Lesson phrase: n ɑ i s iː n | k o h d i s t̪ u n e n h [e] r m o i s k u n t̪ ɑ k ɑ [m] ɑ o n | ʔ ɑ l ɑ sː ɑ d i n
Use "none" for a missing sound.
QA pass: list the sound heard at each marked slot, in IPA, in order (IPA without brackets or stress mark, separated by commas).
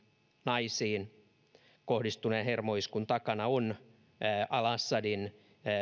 e, n